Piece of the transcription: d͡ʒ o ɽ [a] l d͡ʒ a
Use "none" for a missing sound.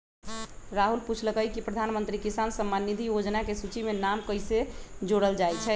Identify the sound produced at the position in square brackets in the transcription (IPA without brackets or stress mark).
ə